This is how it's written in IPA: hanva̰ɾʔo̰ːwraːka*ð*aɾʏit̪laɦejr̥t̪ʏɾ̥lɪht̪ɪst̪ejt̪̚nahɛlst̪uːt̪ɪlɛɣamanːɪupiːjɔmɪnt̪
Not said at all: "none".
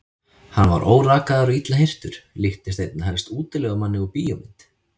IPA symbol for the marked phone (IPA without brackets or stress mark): ð